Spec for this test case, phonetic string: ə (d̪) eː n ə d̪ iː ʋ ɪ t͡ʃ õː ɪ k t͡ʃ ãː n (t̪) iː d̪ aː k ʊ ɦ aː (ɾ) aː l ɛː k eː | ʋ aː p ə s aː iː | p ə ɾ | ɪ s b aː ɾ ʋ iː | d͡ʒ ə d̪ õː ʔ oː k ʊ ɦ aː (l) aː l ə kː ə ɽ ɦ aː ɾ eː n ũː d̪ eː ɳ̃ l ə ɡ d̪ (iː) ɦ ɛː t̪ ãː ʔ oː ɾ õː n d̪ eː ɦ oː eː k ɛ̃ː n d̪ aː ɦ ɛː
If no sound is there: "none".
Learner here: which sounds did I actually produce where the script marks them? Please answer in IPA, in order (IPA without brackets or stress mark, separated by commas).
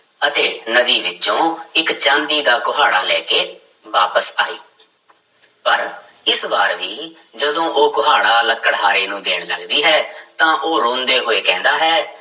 t̪, d̪, ɽ, ɽ, iː